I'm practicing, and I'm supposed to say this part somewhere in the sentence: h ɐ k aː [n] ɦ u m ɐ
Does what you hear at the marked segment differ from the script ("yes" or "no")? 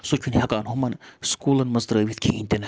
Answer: no